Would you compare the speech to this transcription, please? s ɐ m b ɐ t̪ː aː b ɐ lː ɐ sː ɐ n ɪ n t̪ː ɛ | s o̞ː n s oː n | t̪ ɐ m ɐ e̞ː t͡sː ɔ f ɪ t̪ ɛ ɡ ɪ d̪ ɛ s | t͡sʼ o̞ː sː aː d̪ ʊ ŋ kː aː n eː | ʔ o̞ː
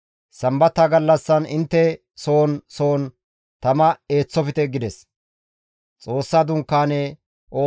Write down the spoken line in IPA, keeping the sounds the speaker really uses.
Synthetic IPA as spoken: s ɐ m b ɐ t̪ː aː ɡ ɐ lː ɐ sː ɐ n ɪ n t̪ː ɛ | s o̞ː n s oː n | t̪ ɐ m ɐ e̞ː t͡sː ɔ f ɪ t̪ ɛ ɡ ɪ d̪ ɛ s | t͡sʼ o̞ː sː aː d̪ ʊ ŋ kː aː n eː | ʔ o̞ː